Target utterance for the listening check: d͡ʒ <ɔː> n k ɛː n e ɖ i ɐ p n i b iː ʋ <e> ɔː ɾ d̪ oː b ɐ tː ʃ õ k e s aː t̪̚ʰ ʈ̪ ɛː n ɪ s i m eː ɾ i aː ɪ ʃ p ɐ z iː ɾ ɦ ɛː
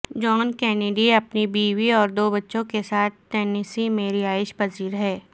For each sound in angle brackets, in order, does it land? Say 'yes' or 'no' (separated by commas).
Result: yes, no